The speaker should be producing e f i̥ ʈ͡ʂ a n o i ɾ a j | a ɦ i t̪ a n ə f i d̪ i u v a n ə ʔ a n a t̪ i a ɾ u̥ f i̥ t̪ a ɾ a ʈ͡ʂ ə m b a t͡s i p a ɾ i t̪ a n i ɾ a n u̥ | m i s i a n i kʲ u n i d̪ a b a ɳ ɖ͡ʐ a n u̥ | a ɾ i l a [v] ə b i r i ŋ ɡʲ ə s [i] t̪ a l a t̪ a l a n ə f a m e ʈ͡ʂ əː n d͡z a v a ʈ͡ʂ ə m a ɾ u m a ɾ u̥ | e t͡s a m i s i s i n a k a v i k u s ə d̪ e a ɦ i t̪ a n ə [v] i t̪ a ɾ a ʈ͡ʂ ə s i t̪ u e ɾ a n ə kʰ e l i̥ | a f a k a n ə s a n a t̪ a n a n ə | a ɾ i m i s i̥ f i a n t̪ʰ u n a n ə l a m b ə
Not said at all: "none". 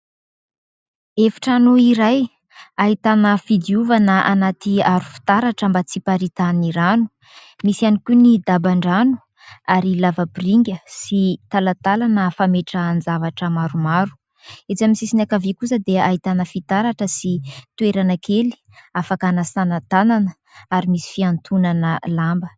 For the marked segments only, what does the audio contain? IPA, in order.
v, i, f

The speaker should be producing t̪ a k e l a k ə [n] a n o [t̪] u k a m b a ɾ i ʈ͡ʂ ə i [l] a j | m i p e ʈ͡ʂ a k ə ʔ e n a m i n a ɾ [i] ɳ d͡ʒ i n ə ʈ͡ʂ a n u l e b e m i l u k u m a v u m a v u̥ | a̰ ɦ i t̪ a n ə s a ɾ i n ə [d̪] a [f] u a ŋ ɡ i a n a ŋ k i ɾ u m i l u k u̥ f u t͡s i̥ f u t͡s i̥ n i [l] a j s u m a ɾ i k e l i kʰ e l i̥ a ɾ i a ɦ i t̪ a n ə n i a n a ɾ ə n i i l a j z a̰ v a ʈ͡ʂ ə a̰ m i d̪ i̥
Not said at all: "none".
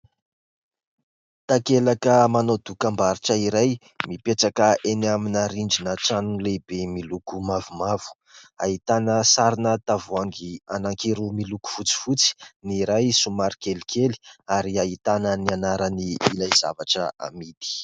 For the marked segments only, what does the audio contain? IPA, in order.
m, d̪, ɾ, i, t̪, v, ɾ

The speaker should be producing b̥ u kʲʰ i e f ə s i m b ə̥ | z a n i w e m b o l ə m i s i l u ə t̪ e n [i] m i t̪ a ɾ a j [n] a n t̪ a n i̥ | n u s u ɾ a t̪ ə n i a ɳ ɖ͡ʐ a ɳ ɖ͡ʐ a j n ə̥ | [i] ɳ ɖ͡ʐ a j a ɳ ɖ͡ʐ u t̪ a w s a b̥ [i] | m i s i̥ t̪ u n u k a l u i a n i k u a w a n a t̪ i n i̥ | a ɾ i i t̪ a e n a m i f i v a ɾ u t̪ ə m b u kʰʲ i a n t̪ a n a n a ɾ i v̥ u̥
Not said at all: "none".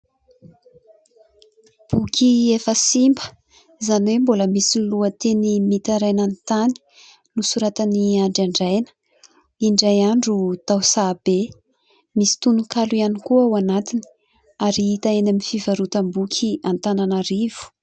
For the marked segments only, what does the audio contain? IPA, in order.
i, n, i, e

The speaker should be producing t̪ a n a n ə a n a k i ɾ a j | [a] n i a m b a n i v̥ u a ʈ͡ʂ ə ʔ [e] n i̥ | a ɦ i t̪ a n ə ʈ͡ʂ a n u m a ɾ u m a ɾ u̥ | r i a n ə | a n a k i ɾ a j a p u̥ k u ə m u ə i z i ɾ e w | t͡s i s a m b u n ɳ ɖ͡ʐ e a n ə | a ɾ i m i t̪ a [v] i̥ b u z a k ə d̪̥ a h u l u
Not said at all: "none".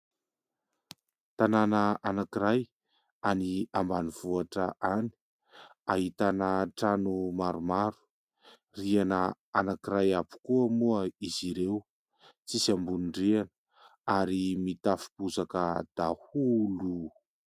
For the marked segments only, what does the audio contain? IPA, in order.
a, a, f

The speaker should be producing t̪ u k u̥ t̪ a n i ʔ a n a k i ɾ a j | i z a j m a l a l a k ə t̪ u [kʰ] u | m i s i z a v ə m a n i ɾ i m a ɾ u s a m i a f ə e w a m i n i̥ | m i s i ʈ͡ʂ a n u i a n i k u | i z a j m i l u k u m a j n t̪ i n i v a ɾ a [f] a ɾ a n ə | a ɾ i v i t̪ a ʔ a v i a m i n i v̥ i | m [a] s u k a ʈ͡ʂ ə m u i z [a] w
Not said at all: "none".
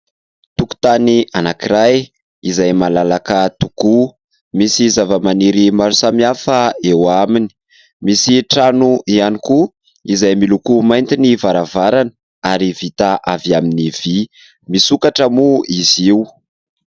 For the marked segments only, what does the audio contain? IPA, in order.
k, v, i, i

